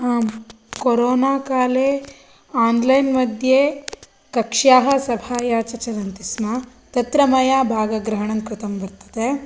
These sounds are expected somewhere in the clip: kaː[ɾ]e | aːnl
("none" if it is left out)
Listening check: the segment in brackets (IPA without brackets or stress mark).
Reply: l